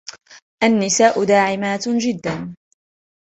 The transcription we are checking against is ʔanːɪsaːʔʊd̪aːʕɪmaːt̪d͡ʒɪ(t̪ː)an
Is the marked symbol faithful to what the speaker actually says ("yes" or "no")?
no